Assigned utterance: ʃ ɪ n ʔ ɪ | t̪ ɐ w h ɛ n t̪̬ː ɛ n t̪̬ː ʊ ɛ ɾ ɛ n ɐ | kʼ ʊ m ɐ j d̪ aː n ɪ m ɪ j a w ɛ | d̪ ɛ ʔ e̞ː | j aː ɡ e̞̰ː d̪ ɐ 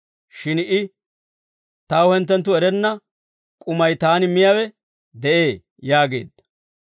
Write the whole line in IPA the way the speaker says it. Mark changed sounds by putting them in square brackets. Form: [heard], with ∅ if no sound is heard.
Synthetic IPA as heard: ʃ ɪ n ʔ ɪ | t̪ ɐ w h ɛ n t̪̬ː ɛ n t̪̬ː ʊ ɛ ɾ ɛ [nː] ɐ | kʼ ʊ m ɐ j [t̪] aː n ɪ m ɪ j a w ɛ | d̪ ɛ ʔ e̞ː | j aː ɡ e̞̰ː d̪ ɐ